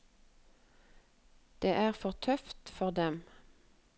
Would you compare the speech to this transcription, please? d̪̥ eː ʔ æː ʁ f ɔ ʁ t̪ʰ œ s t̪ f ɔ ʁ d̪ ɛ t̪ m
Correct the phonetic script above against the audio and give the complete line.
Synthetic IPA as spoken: d̪̥ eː ʔ æː ʁ f ɔ ʁ t̪ʰ œ f t̪ f ɔ ʁ d̪ ɛ m